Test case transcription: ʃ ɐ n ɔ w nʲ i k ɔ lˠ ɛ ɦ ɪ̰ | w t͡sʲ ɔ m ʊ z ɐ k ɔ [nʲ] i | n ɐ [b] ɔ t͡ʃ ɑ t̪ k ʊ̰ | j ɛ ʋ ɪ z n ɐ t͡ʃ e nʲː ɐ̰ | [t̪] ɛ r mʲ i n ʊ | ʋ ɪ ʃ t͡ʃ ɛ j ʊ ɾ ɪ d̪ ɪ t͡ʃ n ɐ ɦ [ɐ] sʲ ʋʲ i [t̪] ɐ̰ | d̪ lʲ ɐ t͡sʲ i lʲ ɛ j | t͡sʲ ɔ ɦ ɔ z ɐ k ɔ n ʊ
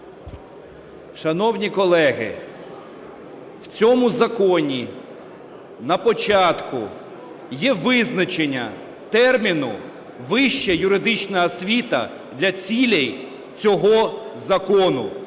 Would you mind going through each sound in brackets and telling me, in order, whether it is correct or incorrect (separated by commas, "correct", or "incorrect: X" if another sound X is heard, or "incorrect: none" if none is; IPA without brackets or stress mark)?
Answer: correct, incorrect: p, correct, correct, correct